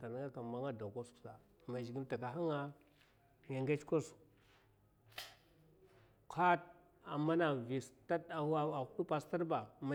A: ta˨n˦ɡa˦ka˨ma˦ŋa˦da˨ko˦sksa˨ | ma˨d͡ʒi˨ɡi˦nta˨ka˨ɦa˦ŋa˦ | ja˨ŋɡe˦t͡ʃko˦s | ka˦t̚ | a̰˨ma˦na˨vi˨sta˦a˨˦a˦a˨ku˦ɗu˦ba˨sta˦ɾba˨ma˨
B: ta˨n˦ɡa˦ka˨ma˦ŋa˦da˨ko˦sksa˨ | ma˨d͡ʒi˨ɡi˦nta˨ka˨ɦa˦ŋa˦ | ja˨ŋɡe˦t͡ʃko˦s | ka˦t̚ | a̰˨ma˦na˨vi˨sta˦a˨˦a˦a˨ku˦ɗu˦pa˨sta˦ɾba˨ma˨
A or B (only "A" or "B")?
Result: B